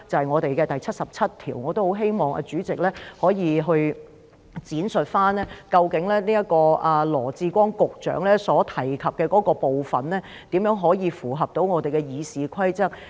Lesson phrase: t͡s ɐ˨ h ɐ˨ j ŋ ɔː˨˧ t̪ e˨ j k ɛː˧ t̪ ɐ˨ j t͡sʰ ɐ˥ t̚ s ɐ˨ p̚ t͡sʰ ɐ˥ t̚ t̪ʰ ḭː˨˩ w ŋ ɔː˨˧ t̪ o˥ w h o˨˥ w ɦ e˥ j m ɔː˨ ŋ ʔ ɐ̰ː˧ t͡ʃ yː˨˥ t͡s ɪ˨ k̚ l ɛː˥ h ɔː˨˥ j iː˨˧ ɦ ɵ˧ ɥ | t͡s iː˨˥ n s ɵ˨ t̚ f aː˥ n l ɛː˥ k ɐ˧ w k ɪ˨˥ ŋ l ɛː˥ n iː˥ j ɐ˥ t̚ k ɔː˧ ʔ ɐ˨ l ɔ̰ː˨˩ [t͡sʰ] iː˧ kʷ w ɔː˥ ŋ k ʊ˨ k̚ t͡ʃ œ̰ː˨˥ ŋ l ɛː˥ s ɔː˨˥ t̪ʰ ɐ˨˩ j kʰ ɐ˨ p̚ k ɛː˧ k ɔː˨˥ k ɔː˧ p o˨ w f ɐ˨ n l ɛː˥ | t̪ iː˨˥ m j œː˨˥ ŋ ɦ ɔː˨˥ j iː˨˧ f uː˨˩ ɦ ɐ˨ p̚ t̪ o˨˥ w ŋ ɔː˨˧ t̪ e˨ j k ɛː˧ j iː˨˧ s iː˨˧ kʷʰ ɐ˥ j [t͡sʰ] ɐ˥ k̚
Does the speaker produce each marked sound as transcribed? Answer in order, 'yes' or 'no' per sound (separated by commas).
no, no